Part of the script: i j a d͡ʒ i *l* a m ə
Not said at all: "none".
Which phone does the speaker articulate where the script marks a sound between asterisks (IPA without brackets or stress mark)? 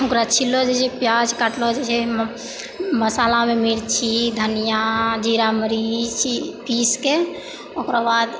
ɾ